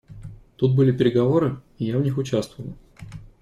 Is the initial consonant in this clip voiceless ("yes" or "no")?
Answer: yes